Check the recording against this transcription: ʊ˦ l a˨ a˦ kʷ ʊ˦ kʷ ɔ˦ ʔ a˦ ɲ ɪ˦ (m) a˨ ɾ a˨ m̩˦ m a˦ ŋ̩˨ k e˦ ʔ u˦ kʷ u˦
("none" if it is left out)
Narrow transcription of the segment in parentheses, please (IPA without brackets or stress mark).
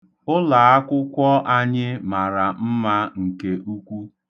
m